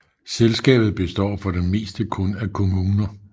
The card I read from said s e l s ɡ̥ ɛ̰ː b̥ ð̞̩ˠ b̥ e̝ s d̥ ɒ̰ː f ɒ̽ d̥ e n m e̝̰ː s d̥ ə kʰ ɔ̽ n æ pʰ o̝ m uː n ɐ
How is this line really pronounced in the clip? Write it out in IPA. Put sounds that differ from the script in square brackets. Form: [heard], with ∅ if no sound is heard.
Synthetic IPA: s e l s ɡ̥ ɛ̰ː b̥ ð̞̩ˠ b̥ e̝ s d̥ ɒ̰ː f ɒ̽ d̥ e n m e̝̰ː s d̥ ə kʰ ɔ̽ n æ [kʰ] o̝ m uː n ɐ